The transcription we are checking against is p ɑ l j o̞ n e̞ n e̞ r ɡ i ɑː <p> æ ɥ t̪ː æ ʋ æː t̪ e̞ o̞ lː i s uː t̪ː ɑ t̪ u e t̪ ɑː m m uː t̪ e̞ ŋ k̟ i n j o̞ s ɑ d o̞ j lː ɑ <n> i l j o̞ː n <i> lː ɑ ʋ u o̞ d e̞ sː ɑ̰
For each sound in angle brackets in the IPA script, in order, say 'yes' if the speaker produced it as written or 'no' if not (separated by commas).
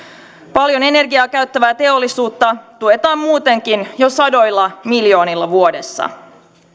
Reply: no, no, yes